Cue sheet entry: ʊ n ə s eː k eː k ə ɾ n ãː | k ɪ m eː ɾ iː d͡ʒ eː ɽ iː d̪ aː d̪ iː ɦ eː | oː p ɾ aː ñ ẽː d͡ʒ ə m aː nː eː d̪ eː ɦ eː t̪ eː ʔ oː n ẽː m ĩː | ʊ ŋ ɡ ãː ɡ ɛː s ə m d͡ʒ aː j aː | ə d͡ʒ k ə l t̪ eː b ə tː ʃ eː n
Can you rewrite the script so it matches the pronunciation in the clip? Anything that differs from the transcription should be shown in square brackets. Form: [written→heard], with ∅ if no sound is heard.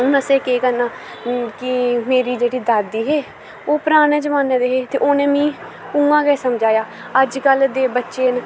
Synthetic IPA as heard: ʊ n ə s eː k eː k ə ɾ n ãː | k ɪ m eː ɾ iː d͡ʒ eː ɽ iː d̪ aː d̪ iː ɦ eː | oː p ɾ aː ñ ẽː d͡ʒ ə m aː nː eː d̪ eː ɦ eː t̪ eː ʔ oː n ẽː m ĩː | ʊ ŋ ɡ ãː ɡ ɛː s ə m d͡ʒ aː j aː | ə d͡ʒ k ə l [t̪→d̪] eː b ə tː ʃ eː n